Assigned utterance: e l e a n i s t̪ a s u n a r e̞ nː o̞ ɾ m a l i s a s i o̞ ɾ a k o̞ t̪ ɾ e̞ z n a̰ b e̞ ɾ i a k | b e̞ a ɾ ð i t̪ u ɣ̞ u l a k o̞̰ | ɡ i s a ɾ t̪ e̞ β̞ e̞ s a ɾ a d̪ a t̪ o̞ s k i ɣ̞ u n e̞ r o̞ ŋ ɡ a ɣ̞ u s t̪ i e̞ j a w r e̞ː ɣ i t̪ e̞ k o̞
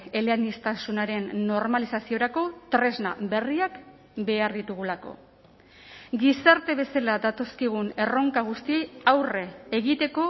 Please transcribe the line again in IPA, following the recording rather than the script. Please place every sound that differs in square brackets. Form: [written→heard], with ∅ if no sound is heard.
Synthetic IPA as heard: e l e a n i s t̪ a s u n a [r→ɾ] e̞ nː o̞ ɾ m a l i s a s i o̞ ɾ a k o̞ t̪ ɾ e̞ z n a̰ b e̞ [ɾ→r] i a k | b e̞ a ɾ ð i t̪ u ɣ̞ u l a k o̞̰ | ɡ i s a ɾ t̪ e̞ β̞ e̞ s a [ɾ→l] a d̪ a t̪ o̞ s k i ɣ̞ u n e̞ r o̞ ŋ [ɡ→k] a ɣ̞ u s t̪ i e̞ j a w r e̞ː ɣ i t̪ e̞ k o̞